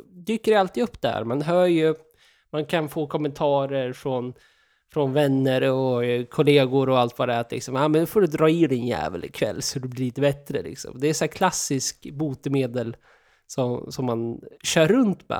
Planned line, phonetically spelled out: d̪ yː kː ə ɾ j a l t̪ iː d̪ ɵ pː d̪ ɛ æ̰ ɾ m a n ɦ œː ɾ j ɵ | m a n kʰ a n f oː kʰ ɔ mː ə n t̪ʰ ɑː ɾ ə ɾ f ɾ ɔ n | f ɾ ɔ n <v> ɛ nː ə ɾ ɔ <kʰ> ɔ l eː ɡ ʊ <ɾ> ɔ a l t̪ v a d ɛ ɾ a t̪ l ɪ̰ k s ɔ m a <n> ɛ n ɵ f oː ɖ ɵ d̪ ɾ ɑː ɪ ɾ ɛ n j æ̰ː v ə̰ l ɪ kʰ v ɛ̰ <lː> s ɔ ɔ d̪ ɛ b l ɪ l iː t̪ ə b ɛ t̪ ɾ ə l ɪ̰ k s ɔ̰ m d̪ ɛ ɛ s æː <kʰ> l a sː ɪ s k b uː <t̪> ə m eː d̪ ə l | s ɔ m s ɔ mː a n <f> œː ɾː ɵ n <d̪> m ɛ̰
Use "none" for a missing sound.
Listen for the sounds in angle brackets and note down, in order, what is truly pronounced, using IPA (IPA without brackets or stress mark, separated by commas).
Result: v, kʰ, ɾ, m, lː, kʰ, t̪, ɕ, t̪